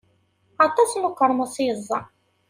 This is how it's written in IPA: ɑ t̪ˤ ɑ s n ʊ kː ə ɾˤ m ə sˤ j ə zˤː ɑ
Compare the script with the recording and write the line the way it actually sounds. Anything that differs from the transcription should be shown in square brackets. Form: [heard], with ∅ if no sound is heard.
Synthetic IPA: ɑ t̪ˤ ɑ s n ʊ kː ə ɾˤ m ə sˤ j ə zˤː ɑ